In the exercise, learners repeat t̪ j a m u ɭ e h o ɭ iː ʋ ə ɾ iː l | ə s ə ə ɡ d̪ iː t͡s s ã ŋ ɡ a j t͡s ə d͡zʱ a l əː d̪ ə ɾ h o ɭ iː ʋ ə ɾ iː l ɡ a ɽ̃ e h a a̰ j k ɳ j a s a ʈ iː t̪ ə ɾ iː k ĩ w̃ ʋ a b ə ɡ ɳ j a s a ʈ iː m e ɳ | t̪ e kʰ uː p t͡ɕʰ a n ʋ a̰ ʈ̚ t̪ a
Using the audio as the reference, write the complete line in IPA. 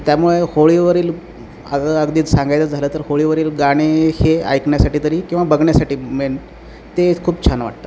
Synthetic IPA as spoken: t̪ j a m u ɭ e h o ɭ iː ʋ ə ɾ iː l | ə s ə ə ɡ d̪ iː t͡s s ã ŋ ɡ a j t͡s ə d͡zʱ a l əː t̪ ə ɾ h o ɭ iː ʋ ə ɾ iː l ɡ a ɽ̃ e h e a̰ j k ɳ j a s a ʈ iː t̪ ə ɾ iː k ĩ w̃ ʋ a b ə ɡ ɳ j a s a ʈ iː m e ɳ | t̪ e kʰ uː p t͡ɕʰ a n ʋ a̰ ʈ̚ t̪ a